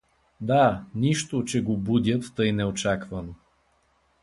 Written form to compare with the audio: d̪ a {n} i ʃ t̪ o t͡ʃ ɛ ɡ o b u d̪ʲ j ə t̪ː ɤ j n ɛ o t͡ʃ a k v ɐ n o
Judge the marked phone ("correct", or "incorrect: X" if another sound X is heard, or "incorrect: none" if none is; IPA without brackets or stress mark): correct